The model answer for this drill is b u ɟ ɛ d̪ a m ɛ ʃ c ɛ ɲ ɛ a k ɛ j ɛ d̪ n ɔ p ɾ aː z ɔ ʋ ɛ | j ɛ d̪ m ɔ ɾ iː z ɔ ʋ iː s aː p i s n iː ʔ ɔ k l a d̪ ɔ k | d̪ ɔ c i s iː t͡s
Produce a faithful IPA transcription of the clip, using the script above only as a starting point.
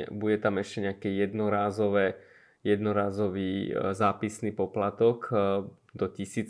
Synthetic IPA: b u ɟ ɛ t̪ a m ɛ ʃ c ɛ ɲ ɛ a k ɛ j ɛ d̪ n ɔ ɾ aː z ɔ ʋ ɛ | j ɛ d̪ n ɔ ɾ aː z ɔ ʋ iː z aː p i s n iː p ɔ p l a t̪ ɔ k | d̪ ɔ c i s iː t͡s